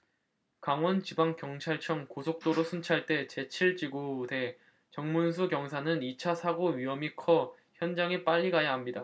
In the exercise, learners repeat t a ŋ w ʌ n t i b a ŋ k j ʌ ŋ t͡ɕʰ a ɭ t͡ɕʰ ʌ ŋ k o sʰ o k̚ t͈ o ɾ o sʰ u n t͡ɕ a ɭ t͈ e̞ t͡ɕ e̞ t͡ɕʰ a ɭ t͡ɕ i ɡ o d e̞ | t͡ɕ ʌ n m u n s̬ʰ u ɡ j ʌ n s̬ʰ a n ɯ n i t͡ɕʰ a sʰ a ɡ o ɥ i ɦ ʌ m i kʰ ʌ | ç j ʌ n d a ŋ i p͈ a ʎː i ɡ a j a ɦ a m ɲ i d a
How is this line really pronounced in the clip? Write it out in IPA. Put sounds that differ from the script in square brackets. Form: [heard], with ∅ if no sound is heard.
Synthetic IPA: [k] a ŋ w ʌ n [t͡ɕ] i b a ŋ k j ʌ ŋ t͡ɕʰ a ɭ t͡ɕʰ ʌ ŋ k o sʰ o k̚ t͈ o ɾ o sʰ u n [t͡ɕʰ] a ɭ t͈ e̞ t͡ɕ e̞ t͡ɕʰ [i] ɭ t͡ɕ i ɡ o d e̞ | t͡ɕ ʌ [ŋ] m u n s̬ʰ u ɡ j ʌ [ŋ] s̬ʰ a n ɯ n i t͡ɕʰ a sʰ a ɡ o ɥ i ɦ ʌ m i kʰ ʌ | ç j ʌ n [d͡ʑ] a ŋ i p͈ a ʎː i ɡ a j a ɦ a m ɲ i d a